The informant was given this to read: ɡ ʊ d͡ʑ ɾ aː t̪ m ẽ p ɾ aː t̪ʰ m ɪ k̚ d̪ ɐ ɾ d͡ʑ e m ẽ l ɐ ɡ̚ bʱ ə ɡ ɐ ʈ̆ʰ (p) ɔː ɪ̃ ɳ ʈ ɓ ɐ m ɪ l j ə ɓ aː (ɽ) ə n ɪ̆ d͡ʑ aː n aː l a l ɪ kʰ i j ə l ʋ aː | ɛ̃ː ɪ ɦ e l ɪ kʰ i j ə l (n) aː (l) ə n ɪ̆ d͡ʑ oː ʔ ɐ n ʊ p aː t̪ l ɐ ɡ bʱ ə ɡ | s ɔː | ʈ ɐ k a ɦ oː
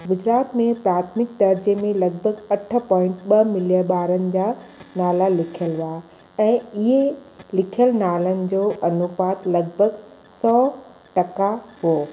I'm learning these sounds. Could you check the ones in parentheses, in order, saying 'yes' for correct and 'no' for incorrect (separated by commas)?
yes, no, yes, yes